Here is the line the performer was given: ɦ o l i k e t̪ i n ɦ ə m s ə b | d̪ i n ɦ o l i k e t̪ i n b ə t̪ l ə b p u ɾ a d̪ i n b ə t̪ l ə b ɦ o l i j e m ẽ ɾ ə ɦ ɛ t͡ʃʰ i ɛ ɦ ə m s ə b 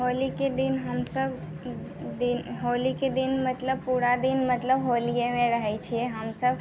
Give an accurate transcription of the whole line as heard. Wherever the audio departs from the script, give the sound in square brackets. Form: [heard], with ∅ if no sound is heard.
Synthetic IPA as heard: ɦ o l i k e [d̪] i n ɦ ə m s ə b | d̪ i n ɦ o l i k e [d̪] i n [m] ə t̪ l ə b p u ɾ a d̪ i n [m] ə t̪ l ə b ɦ o l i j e m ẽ ɾ ə ɦ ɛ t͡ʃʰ i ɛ ɦ ə m s ə b